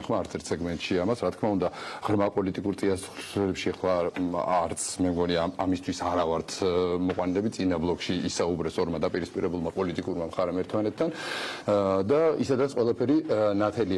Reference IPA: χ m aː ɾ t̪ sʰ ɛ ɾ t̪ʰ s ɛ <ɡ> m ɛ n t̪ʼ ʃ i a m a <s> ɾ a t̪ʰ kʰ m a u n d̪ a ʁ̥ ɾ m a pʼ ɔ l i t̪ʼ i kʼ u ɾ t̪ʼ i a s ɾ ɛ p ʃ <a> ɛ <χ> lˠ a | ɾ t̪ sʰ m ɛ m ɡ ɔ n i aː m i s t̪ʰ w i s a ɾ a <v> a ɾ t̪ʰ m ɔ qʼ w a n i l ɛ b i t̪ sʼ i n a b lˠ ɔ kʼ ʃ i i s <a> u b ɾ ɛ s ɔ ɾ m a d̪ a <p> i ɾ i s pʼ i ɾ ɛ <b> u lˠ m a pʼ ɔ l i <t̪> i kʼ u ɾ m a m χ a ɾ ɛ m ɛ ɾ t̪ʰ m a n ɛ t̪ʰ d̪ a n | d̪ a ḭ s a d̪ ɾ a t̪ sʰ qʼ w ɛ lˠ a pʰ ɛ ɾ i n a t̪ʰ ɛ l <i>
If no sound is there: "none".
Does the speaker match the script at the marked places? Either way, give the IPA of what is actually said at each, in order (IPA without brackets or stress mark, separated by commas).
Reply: ɡ, s, i, χ, v, a, pʼ, b, t̪ʼ, i